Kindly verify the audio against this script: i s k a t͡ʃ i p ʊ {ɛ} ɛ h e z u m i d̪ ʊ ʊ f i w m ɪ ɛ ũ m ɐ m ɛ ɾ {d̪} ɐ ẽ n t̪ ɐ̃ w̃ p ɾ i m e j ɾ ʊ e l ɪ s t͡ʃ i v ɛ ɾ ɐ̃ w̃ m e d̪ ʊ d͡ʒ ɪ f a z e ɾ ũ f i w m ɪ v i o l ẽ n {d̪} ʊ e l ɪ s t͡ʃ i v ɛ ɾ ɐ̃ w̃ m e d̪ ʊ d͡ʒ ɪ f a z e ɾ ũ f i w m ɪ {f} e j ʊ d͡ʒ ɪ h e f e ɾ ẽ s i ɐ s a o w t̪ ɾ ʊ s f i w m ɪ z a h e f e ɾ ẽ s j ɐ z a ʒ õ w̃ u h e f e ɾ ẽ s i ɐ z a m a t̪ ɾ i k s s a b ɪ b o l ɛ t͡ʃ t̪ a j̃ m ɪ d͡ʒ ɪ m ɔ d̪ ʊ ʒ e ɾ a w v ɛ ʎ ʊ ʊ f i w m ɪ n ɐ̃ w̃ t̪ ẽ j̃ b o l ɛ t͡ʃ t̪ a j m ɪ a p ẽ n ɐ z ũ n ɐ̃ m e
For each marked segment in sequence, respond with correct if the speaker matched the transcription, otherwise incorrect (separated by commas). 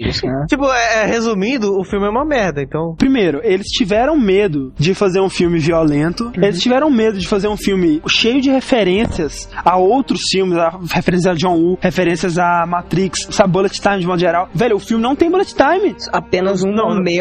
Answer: correct, correct, incorrect, incorrect